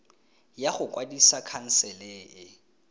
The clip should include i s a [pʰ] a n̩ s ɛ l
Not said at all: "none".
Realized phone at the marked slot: kʰ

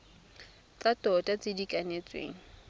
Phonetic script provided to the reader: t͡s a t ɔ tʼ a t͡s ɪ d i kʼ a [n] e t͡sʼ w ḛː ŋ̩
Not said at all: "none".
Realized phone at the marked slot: n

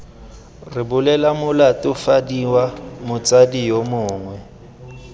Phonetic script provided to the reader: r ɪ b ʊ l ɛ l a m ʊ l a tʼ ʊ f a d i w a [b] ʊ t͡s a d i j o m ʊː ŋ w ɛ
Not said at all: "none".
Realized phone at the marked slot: m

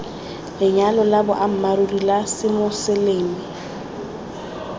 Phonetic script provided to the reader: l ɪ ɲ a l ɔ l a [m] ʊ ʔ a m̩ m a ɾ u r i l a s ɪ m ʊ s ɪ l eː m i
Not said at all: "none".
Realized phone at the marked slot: b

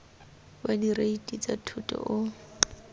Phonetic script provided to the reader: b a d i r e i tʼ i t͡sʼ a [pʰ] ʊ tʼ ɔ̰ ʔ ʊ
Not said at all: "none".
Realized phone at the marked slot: tʰ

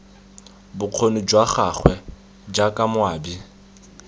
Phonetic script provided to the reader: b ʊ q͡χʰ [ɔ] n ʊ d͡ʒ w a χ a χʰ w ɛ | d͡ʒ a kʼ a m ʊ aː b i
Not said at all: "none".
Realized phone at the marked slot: o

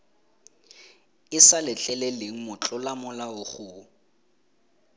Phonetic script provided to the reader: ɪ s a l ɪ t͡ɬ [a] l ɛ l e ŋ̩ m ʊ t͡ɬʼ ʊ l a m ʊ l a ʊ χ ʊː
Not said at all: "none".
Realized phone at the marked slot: ɛ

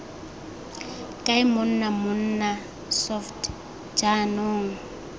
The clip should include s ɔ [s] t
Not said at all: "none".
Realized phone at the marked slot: f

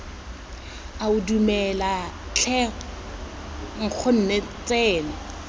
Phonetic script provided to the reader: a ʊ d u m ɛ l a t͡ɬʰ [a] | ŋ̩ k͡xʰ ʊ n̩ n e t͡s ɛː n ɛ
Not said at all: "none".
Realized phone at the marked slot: ɛ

